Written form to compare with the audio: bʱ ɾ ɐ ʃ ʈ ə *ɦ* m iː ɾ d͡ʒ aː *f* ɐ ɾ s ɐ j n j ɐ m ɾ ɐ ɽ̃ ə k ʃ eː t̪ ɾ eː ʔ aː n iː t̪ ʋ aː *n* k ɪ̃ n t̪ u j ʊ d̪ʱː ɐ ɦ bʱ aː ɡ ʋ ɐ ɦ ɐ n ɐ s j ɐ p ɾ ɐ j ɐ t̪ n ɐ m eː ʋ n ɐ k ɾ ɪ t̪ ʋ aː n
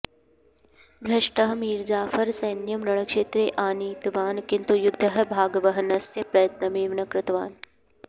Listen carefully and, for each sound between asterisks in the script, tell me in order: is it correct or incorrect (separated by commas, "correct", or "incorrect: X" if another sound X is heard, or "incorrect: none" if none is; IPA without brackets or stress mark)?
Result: correct, correct, correct